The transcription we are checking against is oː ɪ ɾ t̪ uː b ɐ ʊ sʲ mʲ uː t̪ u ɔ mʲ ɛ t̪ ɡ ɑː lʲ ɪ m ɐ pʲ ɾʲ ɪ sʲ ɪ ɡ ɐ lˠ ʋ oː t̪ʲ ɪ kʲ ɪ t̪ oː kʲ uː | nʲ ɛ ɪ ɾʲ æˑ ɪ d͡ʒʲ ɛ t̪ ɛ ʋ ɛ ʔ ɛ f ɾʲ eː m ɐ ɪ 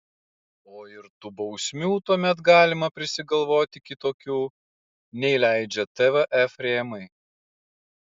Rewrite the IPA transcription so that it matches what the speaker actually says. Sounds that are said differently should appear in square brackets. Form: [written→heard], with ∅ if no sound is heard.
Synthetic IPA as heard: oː ɪ ɾ t̪ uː b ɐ ʊ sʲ mʲ uː t̪ u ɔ mʲ ɛ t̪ ɡ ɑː lʲ ɪ m ɐ pʲ ɾʲ ɪ sʲ ɪ ɡ ɐ lˠ ʋ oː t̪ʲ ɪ kʲ ɪ t̪ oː kʲ uː | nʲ ɛ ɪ [ɾʲ→lʲ] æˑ ɪ d͡ʒʲ ɛ t̪ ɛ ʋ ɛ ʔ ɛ f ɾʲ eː m ɐ ɪ

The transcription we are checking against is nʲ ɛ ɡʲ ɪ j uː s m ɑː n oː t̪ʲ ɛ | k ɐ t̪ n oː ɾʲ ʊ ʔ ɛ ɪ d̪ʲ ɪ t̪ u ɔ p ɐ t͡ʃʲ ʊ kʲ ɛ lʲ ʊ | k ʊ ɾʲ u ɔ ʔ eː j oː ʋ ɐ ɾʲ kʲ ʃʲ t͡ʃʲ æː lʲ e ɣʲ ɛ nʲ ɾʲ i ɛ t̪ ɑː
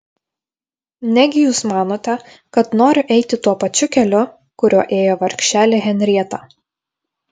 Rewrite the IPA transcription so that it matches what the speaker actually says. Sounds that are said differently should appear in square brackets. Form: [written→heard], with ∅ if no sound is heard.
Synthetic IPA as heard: nʲ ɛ ɡʲ ɪ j uː s m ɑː n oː t̪ʲ ɛ | k ɐ t̪ n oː ɾʲ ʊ ʔ ɛ ɪ [d̪ʲ→t̪ʲ] ɪ t̪ u ɔ p ɐ t͡ʃʲ ʊ kʲ ɛ lʲ ʊ | k ʊ ɾʲ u ɔ ʔ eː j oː ʋ ɐ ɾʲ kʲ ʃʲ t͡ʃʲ æː lʲ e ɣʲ ɛ nʲ ɾʲ i ɛ t̪ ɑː

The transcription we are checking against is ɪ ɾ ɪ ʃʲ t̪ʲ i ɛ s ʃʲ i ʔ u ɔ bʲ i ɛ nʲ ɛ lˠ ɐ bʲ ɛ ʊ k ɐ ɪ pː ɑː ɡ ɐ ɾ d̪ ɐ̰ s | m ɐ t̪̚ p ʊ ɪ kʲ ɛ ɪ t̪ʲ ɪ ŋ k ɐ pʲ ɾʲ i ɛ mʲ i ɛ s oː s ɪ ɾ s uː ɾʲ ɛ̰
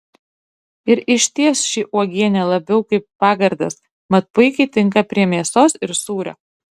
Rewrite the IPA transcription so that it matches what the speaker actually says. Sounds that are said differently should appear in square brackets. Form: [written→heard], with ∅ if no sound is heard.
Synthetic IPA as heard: ɪ ɾ ɪ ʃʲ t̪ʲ i ɛ s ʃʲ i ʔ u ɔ [bʲ→ɡʲ] i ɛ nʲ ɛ lˠ ɐ bʲ ɛ ʊ k ɐ ɪ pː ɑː ɡ ɐ ɾ d̪ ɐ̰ s | m ɐ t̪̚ p ʊ ɪ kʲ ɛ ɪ t̪ʲ ɪ ŋ k ɐ pʲ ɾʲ i ɛ mʲ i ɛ s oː s ɪ ɾ s uː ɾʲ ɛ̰

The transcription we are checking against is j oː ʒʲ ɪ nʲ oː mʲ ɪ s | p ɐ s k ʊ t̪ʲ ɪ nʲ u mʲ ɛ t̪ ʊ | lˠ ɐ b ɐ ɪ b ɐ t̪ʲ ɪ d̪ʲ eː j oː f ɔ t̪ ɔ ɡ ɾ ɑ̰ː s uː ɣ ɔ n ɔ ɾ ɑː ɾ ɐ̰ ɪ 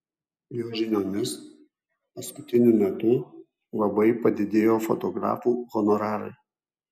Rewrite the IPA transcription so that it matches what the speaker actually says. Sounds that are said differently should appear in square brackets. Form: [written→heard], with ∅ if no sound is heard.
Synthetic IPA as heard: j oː ʒʲ ɪ nʲ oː [mʲ→nʲ] ɪ s | p ɐ s k ʊ t̪ʲ ɪ nʲ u mʲ ɛ t̪ ʊ | lˠ ɐ b ɐ ɪ [b→p] ɐ [t̪ʲ→d̪ʲ] ɪ d̪ʲ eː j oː f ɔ t̪ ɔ ɡ ɾ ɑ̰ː [s→f] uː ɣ ɔ n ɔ ɾ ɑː ɾ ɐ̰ ɪ

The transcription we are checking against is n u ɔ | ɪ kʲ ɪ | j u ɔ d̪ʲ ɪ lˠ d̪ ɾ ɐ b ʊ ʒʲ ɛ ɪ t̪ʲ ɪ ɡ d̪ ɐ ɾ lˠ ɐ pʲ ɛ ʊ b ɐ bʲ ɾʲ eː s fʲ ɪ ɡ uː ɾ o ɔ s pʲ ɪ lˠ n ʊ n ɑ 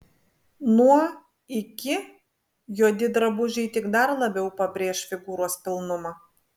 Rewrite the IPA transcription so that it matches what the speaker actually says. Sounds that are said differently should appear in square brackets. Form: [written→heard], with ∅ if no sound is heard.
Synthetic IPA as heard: n u ɔ | ɪ kʲ ɪ | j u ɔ d̪ʲ ɪ [lˠ→∅] d̪ ɾ ɐ b ʊ ʒʲ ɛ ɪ t̪ʲ ɪ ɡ d̪ ɐ ɾ lˠ ɐ [pʲ→bʲ] ɛ ʊ [b→p] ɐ bʲ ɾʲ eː [s→ʃ] fʲ ɪ ɡ uː ɾ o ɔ s pʲ ɪ lˠ n ʊ [n→m] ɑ

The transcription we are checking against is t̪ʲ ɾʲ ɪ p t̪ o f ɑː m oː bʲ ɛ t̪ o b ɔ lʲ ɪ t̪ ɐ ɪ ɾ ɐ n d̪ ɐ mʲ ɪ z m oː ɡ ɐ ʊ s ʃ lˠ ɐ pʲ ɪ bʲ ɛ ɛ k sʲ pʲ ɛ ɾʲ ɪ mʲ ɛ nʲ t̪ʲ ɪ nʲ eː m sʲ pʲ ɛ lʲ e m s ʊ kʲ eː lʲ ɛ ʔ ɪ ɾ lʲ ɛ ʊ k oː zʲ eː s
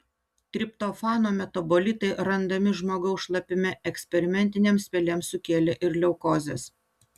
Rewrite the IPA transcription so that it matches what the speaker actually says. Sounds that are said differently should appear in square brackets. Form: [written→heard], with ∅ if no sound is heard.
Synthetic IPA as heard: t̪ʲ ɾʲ ɪ p t̪ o f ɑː [m→n] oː [bʲ→mʲ] ɛ t̪ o b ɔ lʲ ɪ t̪ ɐ ɪ ɾ ɐ n d̪ ɐ mʲ ɪ [z→ʒ] m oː ɡ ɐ ʊ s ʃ lˠ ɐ pʲ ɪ [bʲ→mʲ] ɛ ɛ k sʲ pʲ ɛ ɾʲ ɪ mʲ ɛ nʲ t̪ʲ ɪ nʲ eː m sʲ pʲ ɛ lʲ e m s ʊ kʲ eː lʲ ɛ ʔ ɪ ɾ lʲ ɛ ʊ k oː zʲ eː s

